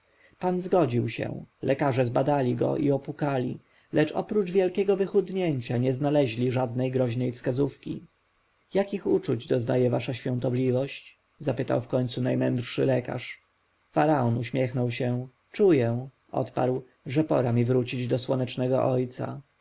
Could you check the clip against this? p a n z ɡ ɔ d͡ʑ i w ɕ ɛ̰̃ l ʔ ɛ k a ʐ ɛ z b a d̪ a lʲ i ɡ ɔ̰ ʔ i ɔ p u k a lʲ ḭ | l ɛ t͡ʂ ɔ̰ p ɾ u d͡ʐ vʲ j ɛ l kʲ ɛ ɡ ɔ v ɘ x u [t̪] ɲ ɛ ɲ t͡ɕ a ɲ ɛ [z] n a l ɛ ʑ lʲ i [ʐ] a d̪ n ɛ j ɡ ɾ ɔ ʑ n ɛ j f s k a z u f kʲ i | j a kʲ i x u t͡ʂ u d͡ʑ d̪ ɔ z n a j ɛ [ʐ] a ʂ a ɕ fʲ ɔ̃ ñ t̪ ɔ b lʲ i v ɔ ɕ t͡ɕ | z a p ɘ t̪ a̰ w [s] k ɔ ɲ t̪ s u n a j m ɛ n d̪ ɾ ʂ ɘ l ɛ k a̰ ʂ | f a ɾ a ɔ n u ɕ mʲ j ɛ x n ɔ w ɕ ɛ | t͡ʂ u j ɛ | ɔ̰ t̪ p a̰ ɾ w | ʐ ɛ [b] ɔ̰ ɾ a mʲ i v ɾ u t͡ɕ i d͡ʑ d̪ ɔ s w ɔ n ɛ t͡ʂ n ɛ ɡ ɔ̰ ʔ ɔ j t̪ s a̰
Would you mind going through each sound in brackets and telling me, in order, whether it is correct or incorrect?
incorrect: d̪, correct, correct, incorrect: v, incorrect: f, incorrect: p

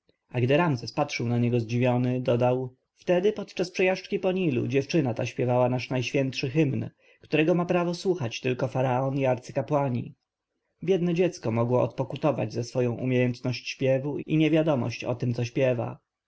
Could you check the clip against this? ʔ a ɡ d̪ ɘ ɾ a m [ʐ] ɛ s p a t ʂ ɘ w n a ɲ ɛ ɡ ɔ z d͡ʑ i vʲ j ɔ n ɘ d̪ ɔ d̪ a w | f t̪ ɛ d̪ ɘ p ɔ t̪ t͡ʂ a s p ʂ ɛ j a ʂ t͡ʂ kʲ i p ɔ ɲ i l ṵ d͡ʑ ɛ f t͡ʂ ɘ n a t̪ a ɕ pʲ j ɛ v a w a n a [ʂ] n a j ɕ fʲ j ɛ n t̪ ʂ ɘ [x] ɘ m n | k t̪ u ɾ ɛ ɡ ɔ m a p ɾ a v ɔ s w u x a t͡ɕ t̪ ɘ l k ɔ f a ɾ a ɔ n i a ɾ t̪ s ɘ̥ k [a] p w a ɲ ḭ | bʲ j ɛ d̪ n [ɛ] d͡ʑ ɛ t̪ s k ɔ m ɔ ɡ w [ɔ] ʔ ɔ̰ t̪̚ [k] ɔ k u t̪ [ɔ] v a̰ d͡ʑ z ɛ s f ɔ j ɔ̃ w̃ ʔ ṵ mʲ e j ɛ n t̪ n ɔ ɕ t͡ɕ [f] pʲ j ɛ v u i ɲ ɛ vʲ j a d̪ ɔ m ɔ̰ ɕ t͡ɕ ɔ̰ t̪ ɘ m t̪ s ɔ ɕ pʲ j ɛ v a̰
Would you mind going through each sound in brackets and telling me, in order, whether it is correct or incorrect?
incorrect: z, correct, correct, correct, correct, correct, incorrect: p, correct, incorrect: ɕ

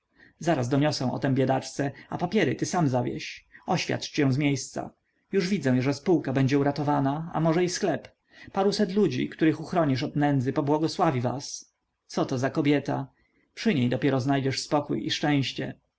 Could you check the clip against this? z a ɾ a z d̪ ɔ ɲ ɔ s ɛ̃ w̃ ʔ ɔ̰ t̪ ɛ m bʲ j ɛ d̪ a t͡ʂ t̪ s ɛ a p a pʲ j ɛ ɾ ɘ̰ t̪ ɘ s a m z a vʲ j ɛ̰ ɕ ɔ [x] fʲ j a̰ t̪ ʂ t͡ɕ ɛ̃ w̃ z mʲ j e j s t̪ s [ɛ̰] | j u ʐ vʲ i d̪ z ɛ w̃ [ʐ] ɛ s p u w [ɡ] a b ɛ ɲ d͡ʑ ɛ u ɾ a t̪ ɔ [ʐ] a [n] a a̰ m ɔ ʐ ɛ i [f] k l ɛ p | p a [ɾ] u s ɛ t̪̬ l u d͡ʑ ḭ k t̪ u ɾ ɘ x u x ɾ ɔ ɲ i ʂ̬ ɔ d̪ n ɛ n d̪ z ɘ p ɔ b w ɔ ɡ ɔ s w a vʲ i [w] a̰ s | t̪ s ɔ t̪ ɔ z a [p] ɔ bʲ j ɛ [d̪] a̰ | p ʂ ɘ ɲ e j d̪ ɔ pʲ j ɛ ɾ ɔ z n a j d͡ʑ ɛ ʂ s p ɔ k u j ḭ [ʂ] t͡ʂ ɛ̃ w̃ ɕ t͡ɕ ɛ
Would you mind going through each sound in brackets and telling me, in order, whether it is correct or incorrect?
incorrect: ɕ, incorrect: a̰, correct, incorrect: k, incorrect: v, correct, incorrect: s, correct, incorrect: v, incorrect: k, incorrect: t̪, correct

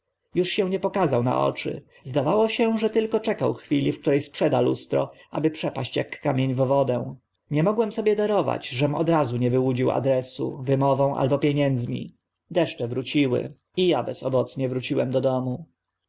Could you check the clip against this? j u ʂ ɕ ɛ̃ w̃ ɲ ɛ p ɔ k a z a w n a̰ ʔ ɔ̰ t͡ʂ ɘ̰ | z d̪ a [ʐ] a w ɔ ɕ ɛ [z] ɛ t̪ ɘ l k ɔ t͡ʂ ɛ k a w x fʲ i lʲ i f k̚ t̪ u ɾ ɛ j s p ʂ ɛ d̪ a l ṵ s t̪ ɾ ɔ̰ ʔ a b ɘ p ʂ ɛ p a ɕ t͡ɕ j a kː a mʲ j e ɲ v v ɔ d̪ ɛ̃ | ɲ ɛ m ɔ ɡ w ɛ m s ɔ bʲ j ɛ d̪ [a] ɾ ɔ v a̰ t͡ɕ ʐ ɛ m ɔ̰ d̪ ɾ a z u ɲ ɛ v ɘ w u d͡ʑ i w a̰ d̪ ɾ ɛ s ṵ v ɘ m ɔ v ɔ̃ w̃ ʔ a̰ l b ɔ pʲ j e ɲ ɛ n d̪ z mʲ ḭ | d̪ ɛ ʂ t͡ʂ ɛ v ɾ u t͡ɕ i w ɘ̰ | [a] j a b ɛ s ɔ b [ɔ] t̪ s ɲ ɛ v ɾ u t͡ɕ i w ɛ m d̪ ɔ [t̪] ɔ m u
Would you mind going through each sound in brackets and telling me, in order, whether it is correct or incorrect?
incorrect: v, incorrect: ʐ, correct, incorrect: i, correct, incorrect: d̪

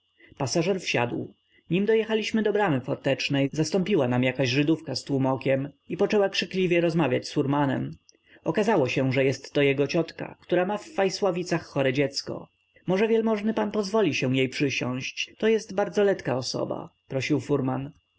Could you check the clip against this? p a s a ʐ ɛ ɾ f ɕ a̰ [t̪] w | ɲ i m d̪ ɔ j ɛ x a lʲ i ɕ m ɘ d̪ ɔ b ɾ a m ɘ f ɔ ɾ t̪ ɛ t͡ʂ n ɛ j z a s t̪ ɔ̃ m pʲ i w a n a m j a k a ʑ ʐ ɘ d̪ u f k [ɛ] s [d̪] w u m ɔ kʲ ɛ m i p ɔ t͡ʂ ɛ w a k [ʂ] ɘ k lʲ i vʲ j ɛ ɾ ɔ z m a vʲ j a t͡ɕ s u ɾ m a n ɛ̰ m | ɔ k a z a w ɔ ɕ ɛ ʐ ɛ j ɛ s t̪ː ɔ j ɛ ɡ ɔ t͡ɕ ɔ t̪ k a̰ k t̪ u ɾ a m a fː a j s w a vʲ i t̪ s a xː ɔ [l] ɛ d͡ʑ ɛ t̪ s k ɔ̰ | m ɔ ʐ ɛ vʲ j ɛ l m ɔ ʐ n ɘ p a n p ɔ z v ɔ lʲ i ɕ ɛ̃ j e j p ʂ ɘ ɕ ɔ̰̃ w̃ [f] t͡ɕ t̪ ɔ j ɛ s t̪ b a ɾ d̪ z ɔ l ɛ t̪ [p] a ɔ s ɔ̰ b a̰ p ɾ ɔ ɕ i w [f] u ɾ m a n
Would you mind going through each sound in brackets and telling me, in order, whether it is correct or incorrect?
incorrect: d̪, incorrect: a, incorrect: t̪, correct, incorrect: ɾ, incorrect: ɕ, incorrect: k, correct

